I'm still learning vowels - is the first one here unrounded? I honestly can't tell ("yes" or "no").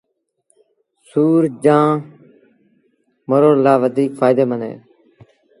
no